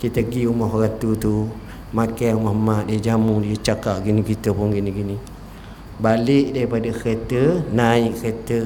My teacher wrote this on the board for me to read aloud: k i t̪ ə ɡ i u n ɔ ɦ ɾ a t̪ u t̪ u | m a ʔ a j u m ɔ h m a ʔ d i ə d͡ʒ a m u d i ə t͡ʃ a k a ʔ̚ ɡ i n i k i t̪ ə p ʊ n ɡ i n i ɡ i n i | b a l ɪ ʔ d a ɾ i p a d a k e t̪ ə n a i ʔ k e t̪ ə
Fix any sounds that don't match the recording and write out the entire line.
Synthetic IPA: k i t̪ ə ɡ i u m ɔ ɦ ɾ a t̪ u t̪ u | m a k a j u m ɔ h m a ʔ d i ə d͡ʒ a m u d i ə t͡ʃ a k a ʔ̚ ɡ i n i k i t̪ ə p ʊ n ɡ i n i ɡ i n i | b a l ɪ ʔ d a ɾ i p a d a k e t̪ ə n a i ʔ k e t̪ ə